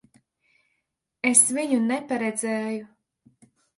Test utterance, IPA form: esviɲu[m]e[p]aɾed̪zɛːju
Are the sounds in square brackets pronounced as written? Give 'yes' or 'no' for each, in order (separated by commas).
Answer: no, yes